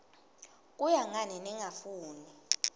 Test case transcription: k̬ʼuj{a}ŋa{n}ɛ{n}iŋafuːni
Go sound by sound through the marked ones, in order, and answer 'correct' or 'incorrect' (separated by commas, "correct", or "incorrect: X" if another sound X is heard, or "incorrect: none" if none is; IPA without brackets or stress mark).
correct, correct, correct